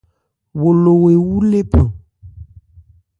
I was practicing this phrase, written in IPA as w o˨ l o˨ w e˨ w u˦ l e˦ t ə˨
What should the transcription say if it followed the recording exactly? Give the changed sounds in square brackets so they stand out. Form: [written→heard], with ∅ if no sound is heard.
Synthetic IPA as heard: w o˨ l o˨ w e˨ w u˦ l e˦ [t→p] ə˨